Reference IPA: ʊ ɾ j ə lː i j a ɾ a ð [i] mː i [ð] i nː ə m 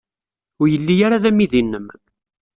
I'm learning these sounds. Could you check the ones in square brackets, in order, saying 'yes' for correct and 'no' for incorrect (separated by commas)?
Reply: no, yes